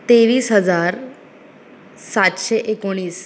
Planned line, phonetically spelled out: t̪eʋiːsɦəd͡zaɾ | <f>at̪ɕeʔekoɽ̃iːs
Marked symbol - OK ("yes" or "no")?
no